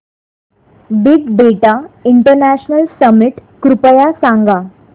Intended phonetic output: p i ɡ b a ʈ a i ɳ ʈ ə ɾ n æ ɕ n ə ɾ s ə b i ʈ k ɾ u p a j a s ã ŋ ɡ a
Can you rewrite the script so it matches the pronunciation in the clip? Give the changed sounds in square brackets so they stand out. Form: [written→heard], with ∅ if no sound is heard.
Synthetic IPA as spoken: [p→b] i ɡ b [a→e] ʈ a i ɳ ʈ ə ɾ n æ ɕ n ə [ɾ→l] s ə [b→m] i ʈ k ɾ u p [a→ə] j a s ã ŋ ɡ a